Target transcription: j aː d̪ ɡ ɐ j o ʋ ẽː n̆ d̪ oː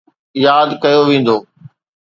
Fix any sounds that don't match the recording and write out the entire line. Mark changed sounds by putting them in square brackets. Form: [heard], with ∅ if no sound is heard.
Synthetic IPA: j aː d̪ [k] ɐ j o ʋ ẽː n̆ d̪ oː